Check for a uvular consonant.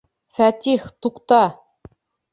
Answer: present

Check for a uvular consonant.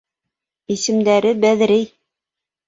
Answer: absent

